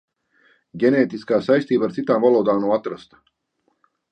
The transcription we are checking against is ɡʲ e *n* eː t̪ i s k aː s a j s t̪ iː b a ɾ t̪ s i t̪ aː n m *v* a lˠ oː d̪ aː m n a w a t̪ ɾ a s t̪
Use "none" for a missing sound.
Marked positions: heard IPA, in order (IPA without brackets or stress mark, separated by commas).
n, v